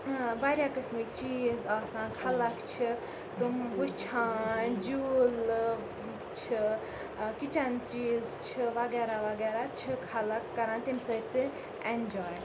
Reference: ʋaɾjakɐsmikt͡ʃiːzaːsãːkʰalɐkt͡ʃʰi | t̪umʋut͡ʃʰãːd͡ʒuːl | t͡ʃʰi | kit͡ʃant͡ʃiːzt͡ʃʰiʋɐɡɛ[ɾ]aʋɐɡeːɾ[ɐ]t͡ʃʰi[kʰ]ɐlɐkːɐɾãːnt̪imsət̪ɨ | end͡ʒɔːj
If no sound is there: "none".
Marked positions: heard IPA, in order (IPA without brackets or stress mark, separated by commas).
ɾ, a, kʰ